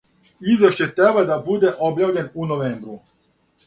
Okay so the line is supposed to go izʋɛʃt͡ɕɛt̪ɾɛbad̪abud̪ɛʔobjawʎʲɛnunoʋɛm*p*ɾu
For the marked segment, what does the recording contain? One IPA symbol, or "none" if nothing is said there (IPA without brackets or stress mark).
b